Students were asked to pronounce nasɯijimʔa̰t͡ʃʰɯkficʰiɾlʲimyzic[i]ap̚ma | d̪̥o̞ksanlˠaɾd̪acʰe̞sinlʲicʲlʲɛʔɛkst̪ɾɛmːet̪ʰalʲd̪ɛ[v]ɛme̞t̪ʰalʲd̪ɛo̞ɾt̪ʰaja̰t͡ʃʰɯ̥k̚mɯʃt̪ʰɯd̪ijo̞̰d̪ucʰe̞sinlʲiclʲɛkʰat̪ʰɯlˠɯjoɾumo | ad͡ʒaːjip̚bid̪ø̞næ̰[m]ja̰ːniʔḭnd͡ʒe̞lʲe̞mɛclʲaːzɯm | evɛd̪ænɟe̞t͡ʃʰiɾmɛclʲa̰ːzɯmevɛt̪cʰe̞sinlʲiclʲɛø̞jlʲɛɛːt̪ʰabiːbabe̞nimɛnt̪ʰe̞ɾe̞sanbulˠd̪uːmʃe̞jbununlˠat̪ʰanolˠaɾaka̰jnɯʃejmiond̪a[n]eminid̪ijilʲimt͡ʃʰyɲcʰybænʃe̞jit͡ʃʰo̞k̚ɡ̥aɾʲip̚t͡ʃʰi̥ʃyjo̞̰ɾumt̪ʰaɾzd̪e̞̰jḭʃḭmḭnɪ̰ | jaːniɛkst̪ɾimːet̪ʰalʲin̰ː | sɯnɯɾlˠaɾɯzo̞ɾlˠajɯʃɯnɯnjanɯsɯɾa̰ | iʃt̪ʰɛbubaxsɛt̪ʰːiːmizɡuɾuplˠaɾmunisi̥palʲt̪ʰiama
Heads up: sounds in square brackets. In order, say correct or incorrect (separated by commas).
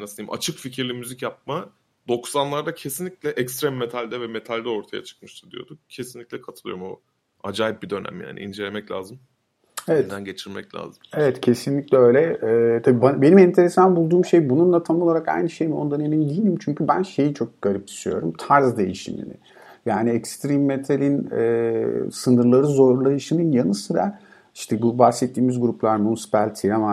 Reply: incorrect, correct, correct, correct